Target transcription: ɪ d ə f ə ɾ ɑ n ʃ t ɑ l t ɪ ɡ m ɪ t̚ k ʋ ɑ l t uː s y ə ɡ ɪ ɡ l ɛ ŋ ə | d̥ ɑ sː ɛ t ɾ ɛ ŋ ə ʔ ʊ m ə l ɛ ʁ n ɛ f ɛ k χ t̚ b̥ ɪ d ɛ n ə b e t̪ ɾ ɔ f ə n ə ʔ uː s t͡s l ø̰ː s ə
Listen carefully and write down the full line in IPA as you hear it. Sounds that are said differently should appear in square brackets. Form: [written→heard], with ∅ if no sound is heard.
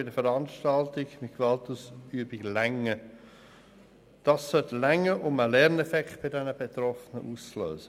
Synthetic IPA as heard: ɪ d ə f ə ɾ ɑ n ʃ t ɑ l t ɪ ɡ m ɪ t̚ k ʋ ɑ l t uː s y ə [ɡ→b] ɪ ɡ l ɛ ŋ ə | d̥ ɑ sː [ɛ→œ] t [ɾ→l] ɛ ŋ ə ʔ ʊ m ə l ɛ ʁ n ɛ f ɛ k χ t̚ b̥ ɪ d ɛ n ə b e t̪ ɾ ɔ f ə n ə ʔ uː s t͡s l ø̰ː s ə